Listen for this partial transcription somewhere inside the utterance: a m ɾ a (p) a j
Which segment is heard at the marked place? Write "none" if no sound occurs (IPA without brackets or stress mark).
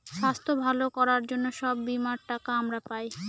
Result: p